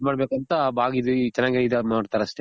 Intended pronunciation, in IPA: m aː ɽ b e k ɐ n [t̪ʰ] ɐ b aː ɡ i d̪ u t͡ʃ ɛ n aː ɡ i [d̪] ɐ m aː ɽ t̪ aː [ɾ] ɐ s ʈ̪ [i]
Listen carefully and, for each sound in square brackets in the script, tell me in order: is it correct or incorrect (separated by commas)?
incorrect, correct, correct, incorrect